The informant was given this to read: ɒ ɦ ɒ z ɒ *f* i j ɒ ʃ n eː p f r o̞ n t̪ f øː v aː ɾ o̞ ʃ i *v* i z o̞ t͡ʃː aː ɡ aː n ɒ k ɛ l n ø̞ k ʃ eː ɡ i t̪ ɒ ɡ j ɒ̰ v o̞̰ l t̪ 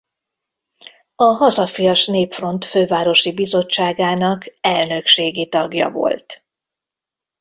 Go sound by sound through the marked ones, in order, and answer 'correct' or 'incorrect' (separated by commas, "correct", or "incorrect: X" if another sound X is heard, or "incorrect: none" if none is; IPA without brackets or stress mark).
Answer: correct, incorrect: b